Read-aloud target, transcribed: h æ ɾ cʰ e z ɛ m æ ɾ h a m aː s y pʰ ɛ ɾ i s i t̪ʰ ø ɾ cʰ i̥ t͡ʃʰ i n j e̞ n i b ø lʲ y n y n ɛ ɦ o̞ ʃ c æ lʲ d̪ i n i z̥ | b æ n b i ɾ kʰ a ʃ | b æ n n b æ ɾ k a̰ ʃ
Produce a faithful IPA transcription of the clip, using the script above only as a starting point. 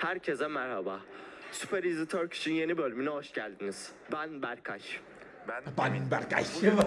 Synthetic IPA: h æ ɾ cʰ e z ɛ m æ ɾ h a b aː s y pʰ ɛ ɾ i z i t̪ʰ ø ɾ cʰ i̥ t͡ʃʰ i n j e̞ n i b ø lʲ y m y n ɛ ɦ o̞ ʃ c æ lʲ d̪ i n i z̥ | b æ n b æ ɾ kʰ a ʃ | b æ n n b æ ɾ k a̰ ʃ